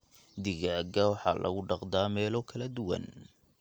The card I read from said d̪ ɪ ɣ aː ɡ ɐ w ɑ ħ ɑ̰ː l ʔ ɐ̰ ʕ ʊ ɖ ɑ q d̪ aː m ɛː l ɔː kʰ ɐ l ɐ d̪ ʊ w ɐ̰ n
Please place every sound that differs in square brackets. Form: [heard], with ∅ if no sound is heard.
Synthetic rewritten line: d̪ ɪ ɣ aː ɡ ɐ w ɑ ħ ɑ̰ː l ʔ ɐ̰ [ɣ] ʊ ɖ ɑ q d̪ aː m ɛː l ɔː kʰ ɐ l ɐ d̪ ʊ w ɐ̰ n